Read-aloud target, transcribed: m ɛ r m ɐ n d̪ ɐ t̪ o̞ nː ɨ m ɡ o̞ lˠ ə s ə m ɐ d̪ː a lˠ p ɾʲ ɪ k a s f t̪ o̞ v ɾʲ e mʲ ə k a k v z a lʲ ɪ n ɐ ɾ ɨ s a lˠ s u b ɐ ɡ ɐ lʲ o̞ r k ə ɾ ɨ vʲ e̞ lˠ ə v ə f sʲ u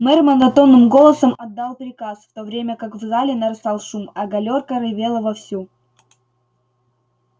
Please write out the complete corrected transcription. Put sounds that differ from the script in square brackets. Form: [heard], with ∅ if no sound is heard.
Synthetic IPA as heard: m ɛ r m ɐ n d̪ ɐ t̪ o̞ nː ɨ m ɡ o̞ lˠ ə s ə m ɐ d̪ː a lˠ p ɾʲ ɪ k a s f t̪ o̞ v ɾʲ e mʲ ə k a k v z a lʲ ɪ n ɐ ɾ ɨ s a lˠ [ʂ] u [m] ɐ ɡ ɐ lʲ o̞ r k ə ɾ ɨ vʲ e̞ lˠ ə v [ɐ] f sʲ u